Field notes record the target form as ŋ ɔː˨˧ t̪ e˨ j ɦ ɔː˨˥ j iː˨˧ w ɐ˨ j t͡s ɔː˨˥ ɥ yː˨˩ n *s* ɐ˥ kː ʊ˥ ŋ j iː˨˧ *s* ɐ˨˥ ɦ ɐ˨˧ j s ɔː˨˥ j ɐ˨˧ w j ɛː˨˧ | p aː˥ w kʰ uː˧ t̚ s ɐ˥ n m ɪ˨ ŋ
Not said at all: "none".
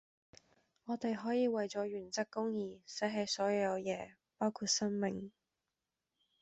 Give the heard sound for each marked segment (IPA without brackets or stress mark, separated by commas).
t͡s, s